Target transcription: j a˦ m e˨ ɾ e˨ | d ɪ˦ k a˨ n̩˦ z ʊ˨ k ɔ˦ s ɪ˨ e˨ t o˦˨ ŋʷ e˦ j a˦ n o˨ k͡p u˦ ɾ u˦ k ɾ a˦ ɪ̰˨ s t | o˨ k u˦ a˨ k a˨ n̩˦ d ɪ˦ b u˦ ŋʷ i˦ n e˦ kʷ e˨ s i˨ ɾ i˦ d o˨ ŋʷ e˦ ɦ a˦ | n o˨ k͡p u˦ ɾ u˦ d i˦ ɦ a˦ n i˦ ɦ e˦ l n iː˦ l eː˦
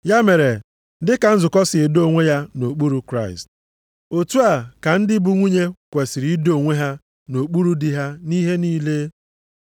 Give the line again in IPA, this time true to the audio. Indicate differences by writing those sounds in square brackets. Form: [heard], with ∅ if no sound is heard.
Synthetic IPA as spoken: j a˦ m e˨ ɾ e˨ | d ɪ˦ k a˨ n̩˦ z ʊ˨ k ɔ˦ s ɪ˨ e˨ [d] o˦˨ ŋʷ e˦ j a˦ n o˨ k͡p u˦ ɾ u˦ k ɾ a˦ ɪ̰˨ s t | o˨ [t] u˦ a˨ k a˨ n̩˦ d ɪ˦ b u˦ ŋʷ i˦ [ɲ] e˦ kʷ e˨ s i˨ ɾ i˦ d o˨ ŋʷ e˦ ɦ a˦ | n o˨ k͡p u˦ ɾ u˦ d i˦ ɦ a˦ n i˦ ɦ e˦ [∅] n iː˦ l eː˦